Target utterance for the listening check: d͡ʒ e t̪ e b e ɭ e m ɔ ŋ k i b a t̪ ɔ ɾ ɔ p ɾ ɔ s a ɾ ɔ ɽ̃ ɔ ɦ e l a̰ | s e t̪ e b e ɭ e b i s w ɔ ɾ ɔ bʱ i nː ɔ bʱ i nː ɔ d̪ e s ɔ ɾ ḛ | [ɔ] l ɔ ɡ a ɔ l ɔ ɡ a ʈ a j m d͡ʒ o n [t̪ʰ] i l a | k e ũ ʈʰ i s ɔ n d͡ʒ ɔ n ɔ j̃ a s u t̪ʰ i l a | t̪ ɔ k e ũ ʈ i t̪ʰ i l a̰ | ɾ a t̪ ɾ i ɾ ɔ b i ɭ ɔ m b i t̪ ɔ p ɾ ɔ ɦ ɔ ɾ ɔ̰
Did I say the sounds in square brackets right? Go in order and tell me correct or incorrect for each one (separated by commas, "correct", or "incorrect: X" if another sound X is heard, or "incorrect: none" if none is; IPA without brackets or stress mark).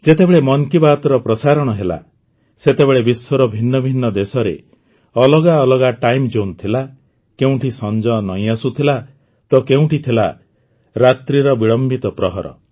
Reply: correct, correct